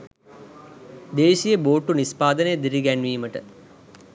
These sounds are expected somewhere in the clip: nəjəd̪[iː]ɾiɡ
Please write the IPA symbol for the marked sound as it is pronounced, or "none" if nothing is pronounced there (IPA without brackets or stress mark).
i